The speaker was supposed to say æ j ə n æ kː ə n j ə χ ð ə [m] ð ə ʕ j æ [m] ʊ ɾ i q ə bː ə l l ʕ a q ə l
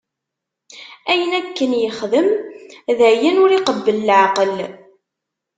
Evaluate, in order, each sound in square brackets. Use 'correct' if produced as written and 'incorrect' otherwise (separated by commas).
correct, incorrect